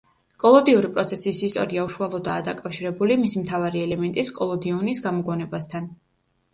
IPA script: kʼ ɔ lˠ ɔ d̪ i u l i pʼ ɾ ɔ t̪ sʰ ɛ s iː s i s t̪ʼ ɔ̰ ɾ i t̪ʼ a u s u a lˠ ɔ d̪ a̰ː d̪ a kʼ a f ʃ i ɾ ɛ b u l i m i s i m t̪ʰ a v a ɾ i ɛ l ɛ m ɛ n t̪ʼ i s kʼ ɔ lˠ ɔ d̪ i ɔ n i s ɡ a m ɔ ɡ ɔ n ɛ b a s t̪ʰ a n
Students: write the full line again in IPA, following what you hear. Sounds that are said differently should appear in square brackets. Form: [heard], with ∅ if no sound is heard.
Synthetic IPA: kʼ ɔ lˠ ɔ d̪ i u [ɾ] i pʼ ɾ ɔ t̪ sʰ ɛ s [i] s i s t̪ʼ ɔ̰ ɾ i [∅] a u [ʃ] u a lˠ ɔ d̪ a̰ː d̪ a kʼ a f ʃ i ɾ ɛ b u l i m i s i m t̪ʰ a v a ɾ i ɛ l ɛ m ɛ n t̪ʼ i s kʼ ɔ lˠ ɔ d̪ i ɔ n i s ɡ a m ɔ ɡ ɔ n ɛ b a s t̪ʰ a n